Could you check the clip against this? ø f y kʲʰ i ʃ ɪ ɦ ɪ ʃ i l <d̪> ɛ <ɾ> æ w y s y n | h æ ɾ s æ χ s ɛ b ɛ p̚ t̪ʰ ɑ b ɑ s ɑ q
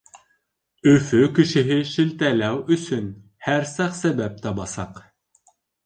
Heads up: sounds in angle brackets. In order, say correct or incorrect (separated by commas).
incorrect, incorrect